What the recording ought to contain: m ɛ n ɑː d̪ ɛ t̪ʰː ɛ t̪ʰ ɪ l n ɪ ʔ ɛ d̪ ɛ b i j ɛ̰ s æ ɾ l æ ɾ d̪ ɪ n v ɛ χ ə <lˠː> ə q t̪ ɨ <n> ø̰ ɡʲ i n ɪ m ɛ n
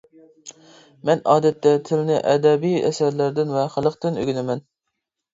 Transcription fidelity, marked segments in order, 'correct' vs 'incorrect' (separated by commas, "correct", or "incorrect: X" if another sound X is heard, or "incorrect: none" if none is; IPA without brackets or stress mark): incorrect: lˠ, correct